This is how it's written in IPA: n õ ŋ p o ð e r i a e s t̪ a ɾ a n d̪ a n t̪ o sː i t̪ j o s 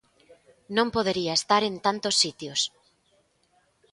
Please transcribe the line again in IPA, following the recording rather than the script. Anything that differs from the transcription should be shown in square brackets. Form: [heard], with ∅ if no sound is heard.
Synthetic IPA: n õ [m] p o ð e [ɾ] i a e s t̪ a ɾ [e] n [t̪] a n t̪ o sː i t̪ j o s